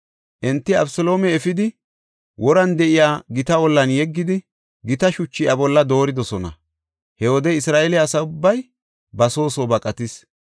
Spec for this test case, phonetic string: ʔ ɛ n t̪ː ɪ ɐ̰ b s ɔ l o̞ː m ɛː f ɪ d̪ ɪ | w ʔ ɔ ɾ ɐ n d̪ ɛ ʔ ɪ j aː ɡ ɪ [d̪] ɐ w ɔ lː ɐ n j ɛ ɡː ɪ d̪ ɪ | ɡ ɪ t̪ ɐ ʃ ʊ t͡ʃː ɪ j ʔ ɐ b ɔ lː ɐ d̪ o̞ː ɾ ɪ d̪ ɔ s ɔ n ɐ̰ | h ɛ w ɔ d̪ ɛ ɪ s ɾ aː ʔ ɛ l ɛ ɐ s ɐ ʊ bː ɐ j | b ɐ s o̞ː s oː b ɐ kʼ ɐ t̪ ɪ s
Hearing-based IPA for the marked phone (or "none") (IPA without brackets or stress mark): t̪